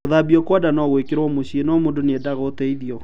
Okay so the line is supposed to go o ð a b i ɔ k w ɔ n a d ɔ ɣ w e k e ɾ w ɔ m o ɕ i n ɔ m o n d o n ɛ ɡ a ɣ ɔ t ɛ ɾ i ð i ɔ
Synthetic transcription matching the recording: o ð a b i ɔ k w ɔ d a n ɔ ɣ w e k e ɾ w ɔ m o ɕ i n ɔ m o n d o n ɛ d a ɣ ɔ t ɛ i ð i ɔ